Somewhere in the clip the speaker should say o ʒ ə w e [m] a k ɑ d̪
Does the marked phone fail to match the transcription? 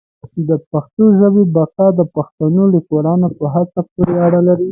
yes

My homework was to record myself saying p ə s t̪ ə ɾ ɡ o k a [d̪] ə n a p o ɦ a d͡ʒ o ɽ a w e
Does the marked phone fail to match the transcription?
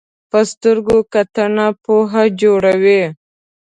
yes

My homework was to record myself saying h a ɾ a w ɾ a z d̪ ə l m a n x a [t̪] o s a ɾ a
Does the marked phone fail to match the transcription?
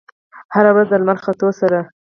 no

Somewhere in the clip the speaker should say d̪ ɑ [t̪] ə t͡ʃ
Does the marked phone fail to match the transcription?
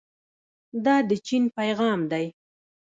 yes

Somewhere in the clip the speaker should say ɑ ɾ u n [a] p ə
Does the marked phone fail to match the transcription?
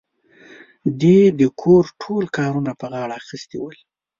no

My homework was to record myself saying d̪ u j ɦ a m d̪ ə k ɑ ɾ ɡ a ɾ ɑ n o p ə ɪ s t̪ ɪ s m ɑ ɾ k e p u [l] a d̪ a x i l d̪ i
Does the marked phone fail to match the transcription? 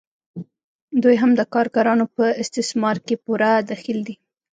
yes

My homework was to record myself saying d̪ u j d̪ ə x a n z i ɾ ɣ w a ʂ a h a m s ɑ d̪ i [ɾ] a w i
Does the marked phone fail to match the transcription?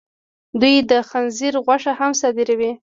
no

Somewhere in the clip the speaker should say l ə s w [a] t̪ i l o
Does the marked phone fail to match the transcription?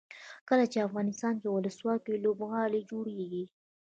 yes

